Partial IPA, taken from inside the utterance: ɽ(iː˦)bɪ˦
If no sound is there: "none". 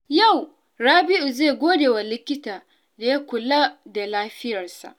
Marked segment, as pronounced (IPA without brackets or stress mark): aː˦